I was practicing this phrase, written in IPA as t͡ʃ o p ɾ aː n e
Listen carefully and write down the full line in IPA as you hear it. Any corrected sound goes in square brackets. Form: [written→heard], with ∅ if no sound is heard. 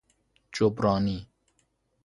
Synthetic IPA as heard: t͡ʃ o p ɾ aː n [e→i]